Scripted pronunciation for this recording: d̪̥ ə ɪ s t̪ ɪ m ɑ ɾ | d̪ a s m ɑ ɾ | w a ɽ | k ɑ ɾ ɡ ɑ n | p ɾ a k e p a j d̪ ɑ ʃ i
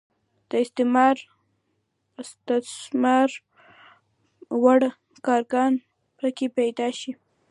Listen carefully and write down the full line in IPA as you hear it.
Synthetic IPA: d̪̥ ə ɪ s t̪ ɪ m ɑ ɾ | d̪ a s m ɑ ɾ | w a ɽ | k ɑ ɾ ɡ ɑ n | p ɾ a k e p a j d̪ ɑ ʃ i